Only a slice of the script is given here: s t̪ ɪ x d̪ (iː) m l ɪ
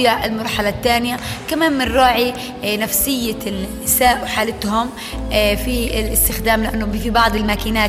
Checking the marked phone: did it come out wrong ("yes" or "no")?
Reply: yes